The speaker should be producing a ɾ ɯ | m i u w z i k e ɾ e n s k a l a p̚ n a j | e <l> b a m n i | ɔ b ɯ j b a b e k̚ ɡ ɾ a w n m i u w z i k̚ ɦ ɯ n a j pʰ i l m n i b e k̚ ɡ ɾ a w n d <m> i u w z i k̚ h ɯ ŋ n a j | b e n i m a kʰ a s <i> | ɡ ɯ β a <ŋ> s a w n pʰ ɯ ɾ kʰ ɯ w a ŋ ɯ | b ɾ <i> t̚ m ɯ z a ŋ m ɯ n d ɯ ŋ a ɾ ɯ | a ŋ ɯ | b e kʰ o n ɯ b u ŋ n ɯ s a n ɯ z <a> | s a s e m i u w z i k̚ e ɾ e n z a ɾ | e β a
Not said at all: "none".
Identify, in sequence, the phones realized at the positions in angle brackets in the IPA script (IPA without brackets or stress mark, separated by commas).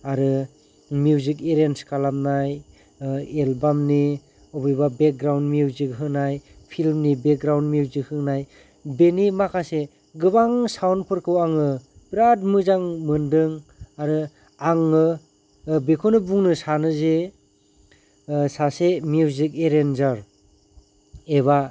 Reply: l, m, e, ŋ, a, e